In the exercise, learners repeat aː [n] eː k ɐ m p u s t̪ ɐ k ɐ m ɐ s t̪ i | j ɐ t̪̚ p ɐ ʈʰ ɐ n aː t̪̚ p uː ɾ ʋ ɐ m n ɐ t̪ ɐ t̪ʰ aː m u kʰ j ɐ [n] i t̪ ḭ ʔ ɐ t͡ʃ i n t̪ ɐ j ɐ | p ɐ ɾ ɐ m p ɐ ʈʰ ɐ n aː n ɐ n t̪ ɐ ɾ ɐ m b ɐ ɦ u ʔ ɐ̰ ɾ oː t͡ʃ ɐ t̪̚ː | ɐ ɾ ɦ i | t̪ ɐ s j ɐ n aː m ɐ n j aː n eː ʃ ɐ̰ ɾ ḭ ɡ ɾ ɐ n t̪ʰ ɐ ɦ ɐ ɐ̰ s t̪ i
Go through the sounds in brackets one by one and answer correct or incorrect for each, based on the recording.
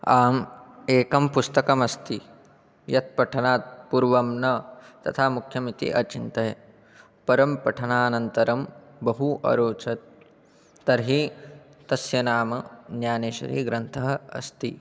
incorrect: m, incorrect: m

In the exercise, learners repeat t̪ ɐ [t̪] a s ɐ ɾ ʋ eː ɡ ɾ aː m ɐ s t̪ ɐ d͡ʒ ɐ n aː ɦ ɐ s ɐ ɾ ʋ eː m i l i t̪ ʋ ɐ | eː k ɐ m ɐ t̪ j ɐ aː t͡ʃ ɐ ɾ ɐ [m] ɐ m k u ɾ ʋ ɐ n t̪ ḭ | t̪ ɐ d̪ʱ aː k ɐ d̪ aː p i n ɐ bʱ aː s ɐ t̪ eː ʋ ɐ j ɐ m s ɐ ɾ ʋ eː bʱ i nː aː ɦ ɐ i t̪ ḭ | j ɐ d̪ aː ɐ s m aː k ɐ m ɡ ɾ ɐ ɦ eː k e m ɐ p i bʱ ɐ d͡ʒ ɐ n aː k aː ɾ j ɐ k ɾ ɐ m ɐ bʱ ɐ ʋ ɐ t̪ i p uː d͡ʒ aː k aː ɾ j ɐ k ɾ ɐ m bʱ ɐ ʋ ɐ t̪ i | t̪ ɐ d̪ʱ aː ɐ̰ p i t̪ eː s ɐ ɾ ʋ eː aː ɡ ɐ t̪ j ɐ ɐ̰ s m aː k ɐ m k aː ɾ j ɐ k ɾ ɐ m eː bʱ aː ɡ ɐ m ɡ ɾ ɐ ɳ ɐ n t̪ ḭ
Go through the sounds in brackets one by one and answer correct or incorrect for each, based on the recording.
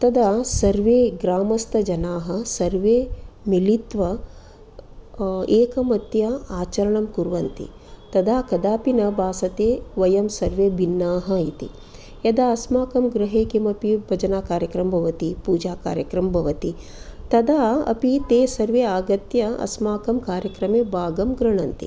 incorrect: d̪, incorrect: ɳ

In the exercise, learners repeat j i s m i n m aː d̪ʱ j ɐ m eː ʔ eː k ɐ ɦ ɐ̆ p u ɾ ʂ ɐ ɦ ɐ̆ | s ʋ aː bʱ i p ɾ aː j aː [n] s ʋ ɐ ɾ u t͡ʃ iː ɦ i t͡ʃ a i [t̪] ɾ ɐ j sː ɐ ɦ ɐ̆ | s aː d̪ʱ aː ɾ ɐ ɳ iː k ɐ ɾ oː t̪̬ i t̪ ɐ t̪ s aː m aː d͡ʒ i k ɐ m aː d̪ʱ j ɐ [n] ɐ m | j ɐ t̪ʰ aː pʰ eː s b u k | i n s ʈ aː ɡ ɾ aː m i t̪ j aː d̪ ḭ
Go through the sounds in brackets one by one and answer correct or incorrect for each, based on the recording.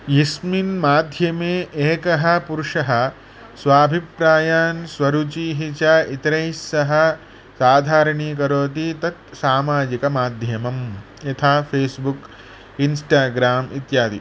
correct, correct, incorrect: m

